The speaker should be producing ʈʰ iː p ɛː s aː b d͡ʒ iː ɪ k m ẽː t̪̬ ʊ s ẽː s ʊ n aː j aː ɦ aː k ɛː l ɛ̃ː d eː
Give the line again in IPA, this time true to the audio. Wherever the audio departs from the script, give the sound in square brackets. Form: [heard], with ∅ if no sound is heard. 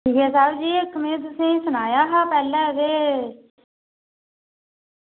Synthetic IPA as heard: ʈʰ iː [k] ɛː s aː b d͡ʒ iː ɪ k m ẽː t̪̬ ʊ s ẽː s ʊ n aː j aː ɦ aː [p] ɛː l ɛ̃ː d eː